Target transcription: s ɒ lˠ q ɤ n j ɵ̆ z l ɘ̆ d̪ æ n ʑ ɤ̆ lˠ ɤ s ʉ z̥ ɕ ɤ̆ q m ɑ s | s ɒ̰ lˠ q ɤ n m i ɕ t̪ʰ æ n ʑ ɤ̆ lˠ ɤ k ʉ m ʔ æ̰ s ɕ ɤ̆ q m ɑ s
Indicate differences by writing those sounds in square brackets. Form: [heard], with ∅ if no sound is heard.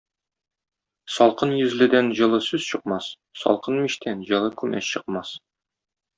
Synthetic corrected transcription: s ɒ lˠ q ɤ n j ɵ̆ z l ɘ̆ d̪ æ n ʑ ɤ̆ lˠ ɤ s ʉ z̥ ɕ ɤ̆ q m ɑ s | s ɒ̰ lˠ q ɤ n m i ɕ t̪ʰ æ n ʑ ɤ̆ lˠ ɤ k ʉ m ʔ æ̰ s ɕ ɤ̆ q m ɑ s